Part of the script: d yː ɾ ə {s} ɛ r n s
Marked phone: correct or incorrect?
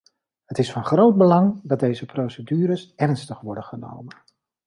correct